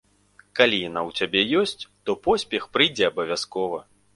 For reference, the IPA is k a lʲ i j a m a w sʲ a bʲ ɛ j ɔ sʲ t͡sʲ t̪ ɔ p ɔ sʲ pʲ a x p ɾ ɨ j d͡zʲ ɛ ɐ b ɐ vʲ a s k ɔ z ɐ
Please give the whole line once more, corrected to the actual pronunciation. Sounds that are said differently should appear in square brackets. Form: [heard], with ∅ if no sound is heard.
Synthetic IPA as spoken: k a lʲ i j a [n] a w [t͡sʲ] a bʲ ɛ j ɔ sʲ t͡sʲ t̪ ɔ p ɔ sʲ pʲ [ɛ] x p ɾ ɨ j d͡zʲ ɛ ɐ b ɐ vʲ a s k ɔ [v] ɐ